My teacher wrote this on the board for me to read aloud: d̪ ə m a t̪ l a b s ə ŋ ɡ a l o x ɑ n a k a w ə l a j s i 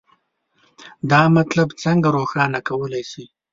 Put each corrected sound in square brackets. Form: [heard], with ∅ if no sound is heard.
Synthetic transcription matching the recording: d̪ [ɑ] m a t̪ l a b [t͡s] ə ŋ ɡ a [ɾ] o x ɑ n a k a w ə l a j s i